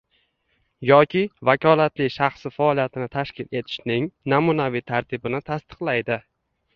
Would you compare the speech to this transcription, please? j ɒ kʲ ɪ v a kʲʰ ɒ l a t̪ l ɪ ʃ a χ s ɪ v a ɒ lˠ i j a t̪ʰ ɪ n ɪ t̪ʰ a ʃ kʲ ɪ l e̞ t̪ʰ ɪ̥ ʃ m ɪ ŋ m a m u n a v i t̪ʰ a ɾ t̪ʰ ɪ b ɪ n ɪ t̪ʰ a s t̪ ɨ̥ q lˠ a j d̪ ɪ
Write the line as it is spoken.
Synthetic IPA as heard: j ɒ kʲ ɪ v a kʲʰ ɒ l a t̪ l ɪ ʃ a χ s ɪ f a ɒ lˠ i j a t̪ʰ ɪ n ɪ t̪ʰ a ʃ kʲ ɪ l e̞ t̪ʰ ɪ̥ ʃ n ɪ ŋ n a m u n a v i t̪ʰ a ɾ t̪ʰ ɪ b ɪ n ɪ t̪ʰ a s t̪ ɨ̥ q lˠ a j d̪ ɪ